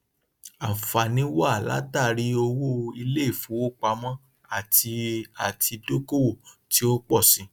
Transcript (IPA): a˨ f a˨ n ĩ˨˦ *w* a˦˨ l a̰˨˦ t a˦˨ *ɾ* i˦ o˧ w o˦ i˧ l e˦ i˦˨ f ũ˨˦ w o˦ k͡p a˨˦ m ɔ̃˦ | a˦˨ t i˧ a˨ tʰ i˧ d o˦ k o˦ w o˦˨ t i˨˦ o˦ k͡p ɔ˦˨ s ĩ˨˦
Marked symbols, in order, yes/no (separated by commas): yes, yes